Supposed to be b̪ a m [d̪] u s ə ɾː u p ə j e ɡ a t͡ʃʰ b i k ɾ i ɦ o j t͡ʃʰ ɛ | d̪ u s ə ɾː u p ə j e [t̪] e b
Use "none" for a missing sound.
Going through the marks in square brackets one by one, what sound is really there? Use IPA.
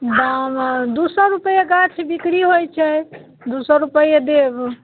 d̪, d̪

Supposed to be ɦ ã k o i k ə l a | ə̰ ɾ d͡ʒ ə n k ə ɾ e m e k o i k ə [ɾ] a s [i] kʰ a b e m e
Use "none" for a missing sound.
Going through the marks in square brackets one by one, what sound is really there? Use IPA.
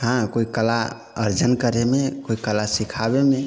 l, i

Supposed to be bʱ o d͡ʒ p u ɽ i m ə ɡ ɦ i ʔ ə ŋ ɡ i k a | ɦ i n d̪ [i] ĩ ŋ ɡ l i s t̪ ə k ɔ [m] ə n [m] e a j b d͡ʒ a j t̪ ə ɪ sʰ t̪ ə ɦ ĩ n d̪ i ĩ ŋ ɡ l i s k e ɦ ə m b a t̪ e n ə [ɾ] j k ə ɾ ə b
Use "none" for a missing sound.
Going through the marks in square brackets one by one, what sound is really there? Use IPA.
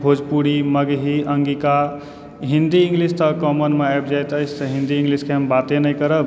i, m, m, none

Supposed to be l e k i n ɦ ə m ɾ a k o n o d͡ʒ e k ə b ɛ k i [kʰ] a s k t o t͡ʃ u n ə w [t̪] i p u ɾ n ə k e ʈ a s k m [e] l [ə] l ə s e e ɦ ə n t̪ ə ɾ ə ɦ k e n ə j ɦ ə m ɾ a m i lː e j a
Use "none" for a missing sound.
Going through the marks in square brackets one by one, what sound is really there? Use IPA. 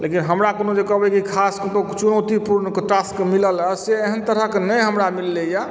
kʰ, t̪, i, ə

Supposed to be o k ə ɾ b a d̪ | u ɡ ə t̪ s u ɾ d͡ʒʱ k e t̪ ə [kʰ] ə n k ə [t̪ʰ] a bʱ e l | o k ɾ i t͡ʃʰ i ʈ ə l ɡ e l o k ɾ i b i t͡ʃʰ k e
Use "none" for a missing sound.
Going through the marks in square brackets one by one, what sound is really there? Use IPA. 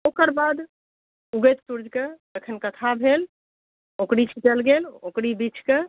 kʰ, t̪ʰ

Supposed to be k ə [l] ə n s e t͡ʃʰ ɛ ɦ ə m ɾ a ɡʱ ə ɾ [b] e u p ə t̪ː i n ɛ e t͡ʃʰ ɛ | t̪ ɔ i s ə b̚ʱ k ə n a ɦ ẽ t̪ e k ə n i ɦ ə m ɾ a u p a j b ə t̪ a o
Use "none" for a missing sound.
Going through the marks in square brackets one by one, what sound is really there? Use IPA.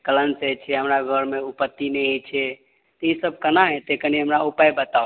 l, m

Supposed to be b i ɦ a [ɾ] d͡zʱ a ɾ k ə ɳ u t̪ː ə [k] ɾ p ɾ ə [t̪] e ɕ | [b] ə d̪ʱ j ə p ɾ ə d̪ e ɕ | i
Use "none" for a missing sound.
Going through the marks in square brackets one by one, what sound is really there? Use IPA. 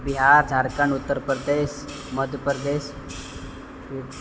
ɾ, none, d̪, m

